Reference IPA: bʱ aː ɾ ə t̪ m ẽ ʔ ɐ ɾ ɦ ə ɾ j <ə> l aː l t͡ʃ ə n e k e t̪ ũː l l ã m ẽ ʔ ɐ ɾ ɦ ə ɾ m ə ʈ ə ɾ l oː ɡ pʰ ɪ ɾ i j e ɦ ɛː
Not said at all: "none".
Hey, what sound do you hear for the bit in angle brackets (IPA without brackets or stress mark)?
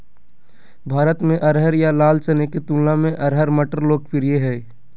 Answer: a